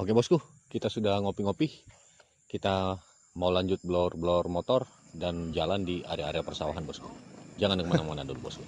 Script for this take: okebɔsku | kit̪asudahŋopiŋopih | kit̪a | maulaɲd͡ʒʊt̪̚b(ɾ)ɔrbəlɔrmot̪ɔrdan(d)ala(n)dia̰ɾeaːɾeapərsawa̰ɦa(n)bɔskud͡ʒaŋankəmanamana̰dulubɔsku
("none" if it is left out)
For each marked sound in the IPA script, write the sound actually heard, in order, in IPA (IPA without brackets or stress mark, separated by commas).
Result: l, d͡ʒ, n, n